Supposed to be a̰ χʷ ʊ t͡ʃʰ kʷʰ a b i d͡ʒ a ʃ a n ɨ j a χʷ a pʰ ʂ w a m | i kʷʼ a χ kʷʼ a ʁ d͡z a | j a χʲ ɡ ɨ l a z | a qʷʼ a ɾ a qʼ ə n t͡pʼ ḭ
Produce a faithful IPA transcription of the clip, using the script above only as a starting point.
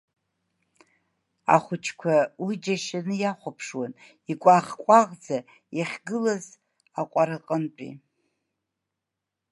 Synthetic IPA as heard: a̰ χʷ ʊ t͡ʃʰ kʷʰ a w i d͡ʒ a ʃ a n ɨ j a χʷ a pʰ ʂ w a n | i kʷʼ a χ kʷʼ a ʁ d͡z a | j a χʲ ɡ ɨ l a z | a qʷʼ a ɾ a qʼ ə n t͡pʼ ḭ